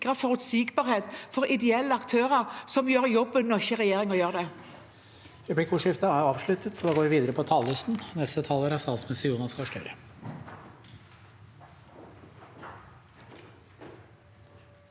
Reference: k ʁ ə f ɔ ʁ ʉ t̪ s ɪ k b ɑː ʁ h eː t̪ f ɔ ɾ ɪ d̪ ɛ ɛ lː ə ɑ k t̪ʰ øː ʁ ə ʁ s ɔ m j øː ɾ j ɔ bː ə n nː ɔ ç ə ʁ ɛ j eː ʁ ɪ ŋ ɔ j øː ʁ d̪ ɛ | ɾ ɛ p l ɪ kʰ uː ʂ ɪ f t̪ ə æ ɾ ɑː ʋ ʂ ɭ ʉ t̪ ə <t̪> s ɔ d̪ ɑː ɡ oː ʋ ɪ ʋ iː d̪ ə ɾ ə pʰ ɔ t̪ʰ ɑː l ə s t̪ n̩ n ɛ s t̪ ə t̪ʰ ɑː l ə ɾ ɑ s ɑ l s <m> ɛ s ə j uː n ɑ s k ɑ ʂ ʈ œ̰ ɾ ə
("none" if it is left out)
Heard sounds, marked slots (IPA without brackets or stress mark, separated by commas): t̪, m